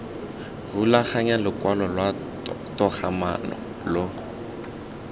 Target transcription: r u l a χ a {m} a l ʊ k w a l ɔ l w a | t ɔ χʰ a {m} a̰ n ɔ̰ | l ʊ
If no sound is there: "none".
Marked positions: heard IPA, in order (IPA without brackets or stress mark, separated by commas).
ɲ, m